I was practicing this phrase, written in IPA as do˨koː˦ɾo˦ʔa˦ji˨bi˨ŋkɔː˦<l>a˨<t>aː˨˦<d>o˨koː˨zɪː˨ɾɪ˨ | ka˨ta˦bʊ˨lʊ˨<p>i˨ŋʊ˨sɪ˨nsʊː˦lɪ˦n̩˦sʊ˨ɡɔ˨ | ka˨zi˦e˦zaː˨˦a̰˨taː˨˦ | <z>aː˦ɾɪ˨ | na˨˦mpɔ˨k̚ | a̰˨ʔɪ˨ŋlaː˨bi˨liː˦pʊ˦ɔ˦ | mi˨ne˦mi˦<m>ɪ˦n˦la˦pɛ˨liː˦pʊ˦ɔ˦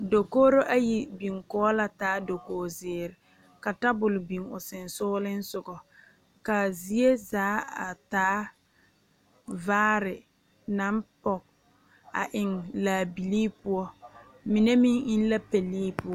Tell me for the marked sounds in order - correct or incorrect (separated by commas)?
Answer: correct, correct, correct, incorrect, incorrect, incorrect